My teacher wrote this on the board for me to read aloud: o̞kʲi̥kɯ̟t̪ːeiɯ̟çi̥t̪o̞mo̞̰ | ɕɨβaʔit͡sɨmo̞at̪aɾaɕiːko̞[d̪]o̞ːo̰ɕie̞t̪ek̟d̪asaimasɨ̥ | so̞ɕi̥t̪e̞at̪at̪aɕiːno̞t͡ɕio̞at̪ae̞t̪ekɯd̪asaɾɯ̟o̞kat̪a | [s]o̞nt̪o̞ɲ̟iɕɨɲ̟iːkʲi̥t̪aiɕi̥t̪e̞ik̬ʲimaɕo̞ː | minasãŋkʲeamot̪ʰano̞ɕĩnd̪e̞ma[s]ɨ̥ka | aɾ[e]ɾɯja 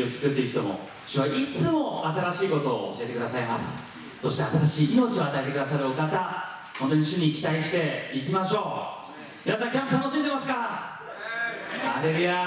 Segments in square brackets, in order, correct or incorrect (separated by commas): incorrect, incorrect, correct, correct